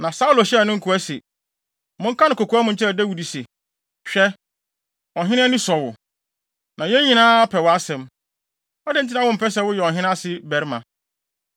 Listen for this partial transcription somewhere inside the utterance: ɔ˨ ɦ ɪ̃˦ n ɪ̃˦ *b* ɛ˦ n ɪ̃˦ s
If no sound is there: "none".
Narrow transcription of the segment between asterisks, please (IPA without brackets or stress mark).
none